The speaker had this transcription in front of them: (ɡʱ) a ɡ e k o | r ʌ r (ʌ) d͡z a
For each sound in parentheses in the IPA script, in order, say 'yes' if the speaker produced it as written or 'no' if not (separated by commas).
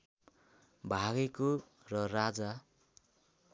no, no